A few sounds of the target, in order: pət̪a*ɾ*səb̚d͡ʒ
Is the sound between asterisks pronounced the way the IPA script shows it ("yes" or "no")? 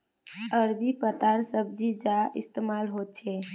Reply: yes